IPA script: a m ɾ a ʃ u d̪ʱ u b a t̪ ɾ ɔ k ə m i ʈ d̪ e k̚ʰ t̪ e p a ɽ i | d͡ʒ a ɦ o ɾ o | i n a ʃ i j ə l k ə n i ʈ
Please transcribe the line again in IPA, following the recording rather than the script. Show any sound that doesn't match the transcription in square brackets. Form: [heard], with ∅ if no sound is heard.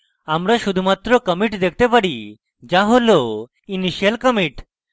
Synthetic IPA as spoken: a m ɾ a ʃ u d̪ʱ u [m] a t̪ ɾ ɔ k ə m i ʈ d̪ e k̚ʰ t̪ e p a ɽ i | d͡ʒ a ɦ o [l] o | i n [i] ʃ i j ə l k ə [m] i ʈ